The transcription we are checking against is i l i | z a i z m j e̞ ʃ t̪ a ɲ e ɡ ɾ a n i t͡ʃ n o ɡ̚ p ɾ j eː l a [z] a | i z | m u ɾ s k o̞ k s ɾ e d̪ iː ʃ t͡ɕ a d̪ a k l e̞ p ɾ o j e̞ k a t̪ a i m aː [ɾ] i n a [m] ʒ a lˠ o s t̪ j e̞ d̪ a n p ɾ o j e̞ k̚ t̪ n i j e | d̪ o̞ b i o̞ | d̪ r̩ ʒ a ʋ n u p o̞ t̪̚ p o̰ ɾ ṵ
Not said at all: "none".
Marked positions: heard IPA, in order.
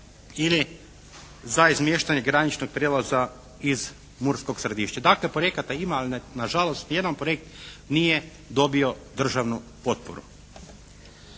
z, l, none

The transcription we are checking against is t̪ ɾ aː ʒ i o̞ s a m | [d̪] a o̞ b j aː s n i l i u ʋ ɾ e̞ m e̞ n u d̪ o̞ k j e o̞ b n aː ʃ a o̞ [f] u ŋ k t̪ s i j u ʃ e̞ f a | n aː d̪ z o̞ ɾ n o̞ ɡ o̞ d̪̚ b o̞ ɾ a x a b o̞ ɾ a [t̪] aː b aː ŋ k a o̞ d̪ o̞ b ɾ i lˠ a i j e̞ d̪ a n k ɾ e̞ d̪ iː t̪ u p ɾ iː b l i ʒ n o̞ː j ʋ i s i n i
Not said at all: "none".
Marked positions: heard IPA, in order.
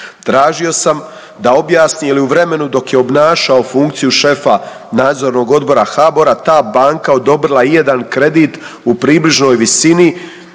d̪, f, t̪

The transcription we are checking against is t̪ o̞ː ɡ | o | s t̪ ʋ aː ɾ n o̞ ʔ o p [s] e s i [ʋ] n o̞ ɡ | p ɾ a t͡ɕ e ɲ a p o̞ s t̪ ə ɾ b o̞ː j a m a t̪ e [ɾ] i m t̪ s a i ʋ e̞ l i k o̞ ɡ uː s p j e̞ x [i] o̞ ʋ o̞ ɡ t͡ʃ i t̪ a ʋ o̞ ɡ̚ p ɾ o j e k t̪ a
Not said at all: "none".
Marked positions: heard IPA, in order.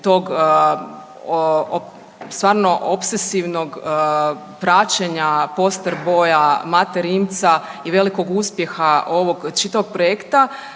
s, ʋ, ɾ, a

